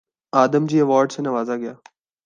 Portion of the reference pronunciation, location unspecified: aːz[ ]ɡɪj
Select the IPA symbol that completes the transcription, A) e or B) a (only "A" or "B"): B